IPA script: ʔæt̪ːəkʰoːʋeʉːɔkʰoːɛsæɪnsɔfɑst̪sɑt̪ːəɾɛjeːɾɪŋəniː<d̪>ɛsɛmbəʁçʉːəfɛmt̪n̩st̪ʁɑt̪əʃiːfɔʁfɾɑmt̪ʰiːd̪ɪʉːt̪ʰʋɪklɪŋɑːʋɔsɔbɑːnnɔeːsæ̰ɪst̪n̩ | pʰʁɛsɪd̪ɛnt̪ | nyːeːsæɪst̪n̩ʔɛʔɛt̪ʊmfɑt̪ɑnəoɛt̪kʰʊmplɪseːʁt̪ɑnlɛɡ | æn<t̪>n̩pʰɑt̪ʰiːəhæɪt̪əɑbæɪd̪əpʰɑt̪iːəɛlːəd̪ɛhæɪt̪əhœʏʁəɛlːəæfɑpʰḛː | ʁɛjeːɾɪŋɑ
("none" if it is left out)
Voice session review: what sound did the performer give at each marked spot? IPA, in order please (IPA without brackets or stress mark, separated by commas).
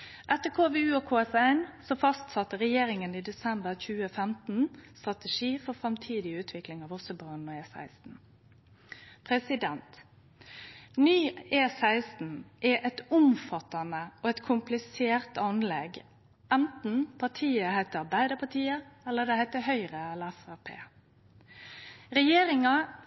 d̪, t̪